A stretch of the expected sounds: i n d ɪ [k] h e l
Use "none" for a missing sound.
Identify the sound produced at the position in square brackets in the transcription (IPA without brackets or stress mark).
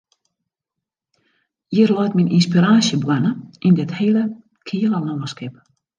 t